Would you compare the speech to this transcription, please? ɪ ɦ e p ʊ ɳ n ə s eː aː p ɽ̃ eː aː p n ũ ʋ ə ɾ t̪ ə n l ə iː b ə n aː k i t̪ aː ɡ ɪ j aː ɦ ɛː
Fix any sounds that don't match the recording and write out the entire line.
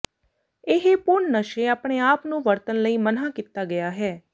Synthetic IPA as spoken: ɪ ɦ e p ʊ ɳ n ə ʃ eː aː p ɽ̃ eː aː p n ũː ʋ ə ɾ t̪ ə n l ə iː m ə n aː k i t̪ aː ɡ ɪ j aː ɦ ɛː